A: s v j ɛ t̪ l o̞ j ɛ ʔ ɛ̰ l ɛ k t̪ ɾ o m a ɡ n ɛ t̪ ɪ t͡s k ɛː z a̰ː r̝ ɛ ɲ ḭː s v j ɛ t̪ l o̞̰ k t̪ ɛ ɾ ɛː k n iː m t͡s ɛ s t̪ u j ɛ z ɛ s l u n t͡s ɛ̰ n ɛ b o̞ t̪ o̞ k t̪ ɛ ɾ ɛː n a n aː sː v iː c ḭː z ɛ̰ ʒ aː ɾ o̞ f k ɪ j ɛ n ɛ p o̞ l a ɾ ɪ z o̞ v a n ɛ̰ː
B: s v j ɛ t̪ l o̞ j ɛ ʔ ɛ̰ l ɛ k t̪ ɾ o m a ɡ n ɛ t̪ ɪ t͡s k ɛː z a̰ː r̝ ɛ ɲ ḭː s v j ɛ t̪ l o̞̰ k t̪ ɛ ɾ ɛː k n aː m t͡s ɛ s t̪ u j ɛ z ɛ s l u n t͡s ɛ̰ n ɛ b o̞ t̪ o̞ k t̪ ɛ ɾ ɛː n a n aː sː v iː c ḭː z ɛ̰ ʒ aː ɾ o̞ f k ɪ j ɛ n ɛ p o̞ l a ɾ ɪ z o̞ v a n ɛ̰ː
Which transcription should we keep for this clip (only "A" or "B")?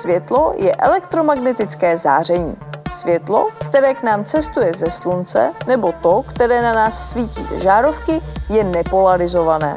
B